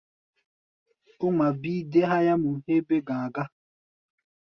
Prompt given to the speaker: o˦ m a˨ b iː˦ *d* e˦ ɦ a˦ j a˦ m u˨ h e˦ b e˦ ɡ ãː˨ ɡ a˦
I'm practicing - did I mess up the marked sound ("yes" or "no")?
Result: no